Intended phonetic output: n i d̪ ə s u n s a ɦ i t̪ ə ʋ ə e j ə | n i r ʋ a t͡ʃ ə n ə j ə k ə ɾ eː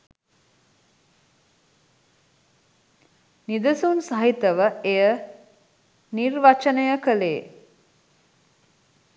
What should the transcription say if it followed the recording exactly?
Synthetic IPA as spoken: n i d̪ ə s u n s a ɦ i t̪ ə ʋ ə e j ə | n i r ʋ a t͡ʃ ə n ə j ə k ə l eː